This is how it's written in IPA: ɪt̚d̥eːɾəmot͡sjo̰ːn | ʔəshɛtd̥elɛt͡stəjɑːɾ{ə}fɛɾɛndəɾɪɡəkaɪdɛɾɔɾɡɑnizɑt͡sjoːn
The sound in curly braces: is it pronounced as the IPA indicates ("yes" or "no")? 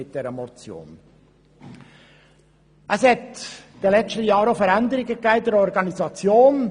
yes